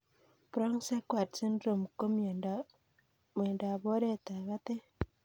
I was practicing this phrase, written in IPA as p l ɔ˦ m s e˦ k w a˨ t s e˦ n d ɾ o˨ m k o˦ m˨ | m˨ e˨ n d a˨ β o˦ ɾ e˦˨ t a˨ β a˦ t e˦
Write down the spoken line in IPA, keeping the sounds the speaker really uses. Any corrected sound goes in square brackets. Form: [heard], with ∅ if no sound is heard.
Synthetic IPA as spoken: p [ɾ] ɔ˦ [ŋ] s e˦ k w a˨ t s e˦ n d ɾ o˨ m k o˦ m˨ | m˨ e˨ n d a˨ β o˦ ɾ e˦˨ t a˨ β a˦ t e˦